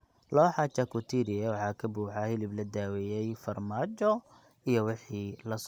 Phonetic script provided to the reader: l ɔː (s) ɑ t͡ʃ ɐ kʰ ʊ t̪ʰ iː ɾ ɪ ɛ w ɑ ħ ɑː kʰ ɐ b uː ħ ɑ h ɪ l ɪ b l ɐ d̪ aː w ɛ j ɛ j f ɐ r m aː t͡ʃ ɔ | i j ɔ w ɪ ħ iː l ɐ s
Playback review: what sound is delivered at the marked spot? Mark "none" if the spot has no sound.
ħ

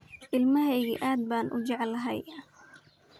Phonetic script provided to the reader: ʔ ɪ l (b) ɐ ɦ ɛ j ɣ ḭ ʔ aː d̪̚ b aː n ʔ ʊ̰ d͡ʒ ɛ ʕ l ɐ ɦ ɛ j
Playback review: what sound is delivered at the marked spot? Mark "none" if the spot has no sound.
m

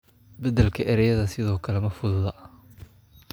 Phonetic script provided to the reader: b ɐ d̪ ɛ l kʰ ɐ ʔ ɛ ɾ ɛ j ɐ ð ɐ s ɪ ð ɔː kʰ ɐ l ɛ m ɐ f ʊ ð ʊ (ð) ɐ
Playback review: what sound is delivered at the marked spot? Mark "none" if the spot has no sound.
ð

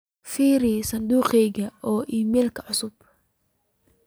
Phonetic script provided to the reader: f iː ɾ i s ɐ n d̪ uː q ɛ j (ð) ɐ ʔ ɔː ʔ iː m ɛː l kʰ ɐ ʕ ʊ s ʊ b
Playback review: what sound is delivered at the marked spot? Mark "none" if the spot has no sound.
ɣ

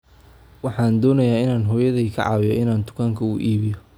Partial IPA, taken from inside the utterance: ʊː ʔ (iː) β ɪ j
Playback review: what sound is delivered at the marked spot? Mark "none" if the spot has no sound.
iː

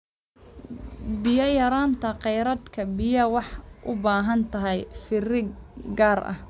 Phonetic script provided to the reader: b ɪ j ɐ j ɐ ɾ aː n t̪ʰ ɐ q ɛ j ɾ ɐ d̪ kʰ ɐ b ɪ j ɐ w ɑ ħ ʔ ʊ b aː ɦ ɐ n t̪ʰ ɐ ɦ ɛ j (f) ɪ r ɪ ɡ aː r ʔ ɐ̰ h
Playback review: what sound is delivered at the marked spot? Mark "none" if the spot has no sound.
f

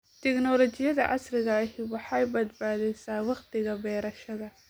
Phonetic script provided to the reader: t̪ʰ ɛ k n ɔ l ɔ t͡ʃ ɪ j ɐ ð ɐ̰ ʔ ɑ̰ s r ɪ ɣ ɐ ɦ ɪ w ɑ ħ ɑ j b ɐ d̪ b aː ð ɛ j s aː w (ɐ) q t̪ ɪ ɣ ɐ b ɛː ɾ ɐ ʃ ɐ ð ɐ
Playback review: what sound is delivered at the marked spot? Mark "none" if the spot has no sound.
ɑ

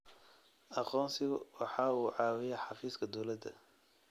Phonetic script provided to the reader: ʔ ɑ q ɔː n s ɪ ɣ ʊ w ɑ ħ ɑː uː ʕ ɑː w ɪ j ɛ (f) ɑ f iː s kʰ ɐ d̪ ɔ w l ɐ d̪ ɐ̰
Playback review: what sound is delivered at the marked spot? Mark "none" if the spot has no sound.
ħ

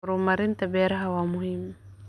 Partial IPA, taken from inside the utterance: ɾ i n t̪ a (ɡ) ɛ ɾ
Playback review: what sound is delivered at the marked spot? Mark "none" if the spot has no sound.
b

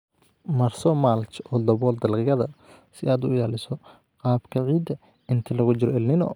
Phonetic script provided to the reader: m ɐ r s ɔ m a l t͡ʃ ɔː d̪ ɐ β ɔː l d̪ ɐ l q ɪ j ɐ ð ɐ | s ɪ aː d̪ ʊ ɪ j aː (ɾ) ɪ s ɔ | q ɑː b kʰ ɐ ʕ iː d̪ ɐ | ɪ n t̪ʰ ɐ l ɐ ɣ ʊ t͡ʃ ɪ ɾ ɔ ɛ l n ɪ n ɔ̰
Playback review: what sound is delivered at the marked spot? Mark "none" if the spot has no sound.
l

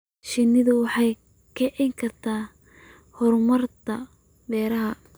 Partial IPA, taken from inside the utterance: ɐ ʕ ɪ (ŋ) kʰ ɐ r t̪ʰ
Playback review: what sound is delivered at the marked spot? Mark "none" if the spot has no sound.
ŋ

